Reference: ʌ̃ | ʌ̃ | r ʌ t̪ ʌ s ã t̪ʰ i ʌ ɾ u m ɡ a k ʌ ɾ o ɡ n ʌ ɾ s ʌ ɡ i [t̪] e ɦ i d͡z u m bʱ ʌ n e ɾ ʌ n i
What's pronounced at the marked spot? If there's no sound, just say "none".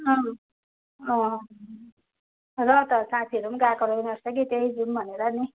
t̪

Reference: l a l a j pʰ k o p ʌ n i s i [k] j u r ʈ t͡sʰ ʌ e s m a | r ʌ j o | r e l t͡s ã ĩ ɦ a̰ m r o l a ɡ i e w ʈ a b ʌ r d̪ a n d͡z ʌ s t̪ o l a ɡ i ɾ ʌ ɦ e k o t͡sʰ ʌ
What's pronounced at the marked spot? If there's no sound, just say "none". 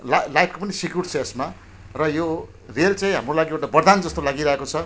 k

